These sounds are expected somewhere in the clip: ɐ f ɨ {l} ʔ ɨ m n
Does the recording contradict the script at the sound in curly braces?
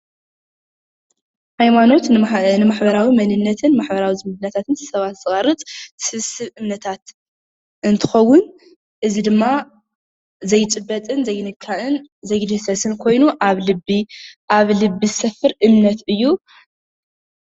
yes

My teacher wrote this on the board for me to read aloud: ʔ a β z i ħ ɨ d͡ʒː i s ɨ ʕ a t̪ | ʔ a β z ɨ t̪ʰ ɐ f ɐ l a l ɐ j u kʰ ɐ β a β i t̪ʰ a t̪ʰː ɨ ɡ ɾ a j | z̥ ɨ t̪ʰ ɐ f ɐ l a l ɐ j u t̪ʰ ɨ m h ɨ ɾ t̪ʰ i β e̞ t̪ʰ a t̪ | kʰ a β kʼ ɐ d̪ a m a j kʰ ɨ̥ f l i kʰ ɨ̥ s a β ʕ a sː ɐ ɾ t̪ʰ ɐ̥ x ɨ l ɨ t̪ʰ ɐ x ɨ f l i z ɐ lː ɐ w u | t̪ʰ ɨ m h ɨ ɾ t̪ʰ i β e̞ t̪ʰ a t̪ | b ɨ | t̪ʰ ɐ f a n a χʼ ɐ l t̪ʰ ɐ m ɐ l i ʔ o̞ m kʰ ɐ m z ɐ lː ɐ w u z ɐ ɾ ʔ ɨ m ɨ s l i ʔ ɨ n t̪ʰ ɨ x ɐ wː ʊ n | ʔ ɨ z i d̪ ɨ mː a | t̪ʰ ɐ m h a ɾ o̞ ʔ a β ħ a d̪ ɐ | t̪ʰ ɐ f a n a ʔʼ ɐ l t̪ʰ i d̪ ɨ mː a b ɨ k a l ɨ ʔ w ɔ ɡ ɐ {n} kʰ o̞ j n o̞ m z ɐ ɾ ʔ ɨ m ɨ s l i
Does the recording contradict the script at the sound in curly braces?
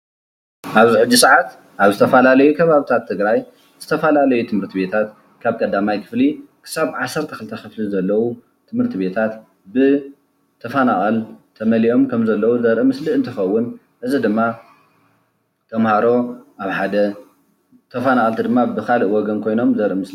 no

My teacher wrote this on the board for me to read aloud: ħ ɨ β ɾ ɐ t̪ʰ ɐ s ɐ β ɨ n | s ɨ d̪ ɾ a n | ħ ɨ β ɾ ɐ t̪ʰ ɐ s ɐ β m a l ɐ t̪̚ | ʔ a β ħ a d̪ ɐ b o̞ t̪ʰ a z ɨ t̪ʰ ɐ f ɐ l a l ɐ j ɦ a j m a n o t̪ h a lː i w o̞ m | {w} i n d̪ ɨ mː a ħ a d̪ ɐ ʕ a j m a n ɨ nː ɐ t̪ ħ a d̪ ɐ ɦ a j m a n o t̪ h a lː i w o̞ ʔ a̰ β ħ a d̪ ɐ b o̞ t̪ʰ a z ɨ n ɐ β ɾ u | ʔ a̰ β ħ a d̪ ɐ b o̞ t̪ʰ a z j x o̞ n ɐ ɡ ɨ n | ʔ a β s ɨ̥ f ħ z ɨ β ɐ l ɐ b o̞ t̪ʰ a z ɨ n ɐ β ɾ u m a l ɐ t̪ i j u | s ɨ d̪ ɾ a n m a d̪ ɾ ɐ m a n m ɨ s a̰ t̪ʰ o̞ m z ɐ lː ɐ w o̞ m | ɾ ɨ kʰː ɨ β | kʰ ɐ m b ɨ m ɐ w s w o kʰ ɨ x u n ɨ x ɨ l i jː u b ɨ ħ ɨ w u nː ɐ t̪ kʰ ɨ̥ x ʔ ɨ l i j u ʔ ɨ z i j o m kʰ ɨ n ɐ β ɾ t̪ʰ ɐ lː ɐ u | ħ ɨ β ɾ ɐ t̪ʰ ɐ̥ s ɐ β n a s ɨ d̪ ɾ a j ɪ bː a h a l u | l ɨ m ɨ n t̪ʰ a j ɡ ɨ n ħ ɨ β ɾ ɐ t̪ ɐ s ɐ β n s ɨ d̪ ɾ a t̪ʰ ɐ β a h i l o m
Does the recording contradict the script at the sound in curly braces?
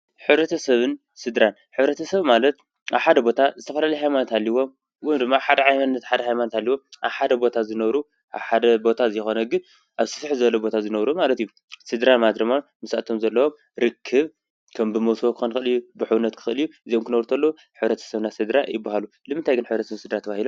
no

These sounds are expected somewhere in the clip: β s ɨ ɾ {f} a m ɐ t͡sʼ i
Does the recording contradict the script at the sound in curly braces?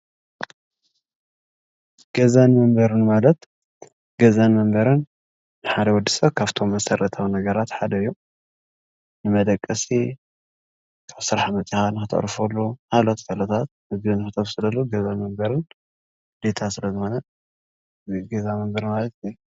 yes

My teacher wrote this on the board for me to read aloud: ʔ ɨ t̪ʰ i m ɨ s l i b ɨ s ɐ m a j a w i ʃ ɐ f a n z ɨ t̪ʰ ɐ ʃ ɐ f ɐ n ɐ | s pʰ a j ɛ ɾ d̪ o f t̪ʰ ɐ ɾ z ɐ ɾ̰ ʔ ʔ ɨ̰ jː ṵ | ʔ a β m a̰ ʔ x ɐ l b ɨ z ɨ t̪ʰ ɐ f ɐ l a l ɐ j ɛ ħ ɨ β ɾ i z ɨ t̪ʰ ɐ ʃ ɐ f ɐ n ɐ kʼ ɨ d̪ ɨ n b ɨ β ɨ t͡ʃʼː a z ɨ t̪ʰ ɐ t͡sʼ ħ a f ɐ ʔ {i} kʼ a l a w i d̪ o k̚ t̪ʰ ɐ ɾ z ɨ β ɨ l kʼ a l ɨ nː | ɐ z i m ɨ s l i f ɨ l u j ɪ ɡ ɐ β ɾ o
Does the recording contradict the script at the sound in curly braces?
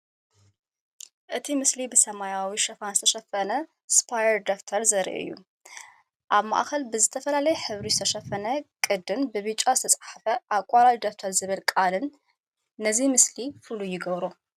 yes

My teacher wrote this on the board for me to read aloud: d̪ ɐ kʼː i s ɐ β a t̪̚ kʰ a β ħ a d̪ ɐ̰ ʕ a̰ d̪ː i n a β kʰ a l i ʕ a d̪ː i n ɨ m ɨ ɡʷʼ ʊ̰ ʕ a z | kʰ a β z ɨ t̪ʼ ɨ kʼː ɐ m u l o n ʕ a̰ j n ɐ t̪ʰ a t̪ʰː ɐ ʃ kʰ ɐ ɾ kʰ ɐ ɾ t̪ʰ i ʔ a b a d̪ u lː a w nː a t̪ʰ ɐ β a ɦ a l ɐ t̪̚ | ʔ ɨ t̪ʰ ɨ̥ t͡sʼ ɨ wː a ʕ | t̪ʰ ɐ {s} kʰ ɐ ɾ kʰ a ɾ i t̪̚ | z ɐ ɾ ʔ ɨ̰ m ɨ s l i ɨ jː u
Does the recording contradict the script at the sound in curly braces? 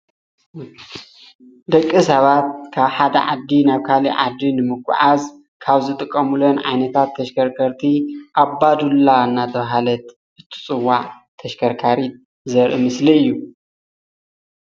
yes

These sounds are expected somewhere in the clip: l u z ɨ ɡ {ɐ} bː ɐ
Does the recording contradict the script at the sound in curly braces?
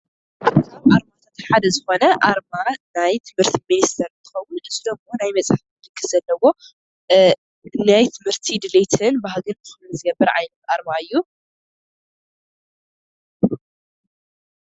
no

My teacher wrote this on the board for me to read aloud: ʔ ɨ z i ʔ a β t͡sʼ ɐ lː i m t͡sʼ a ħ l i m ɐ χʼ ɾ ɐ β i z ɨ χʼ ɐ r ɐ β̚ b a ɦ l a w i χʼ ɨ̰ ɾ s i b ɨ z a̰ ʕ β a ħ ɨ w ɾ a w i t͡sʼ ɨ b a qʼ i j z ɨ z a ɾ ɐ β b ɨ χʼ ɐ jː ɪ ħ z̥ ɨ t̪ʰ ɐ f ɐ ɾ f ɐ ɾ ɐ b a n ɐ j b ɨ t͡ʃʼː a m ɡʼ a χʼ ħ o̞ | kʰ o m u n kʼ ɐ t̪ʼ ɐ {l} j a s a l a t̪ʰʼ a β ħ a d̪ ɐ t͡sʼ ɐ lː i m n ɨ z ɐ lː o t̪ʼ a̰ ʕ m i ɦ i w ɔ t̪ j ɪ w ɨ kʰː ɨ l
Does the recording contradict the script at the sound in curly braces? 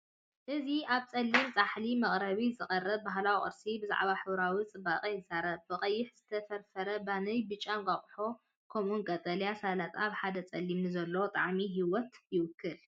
no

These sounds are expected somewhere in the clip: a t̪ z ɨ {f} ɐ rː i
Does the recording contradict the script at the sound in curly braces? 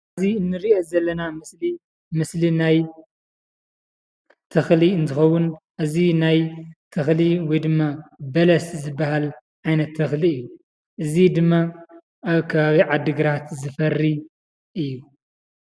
no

